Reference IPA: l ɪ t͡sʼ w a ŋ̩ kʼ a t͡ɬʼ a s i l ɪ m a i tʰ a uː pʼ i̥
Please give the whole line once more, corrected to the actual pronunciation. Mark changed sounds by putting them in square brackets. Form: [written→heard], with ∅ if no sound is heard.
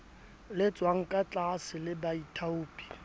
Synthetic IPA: l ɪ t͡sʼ w a ŋ̩ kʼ a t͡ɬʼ a s [i→ɪ] l ɪ [m→b] a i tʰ a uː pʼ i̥